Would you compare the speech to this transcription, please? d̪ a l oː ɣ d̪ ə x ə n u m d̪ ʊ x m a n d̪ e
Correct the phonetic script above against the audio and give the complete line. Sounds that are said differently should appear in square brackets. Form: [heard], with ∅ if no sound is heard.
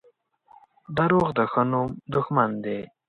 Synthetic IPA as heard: d̪ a [ɾ] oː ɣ d̪ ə x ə n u m d̪ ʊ x m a n d̪ e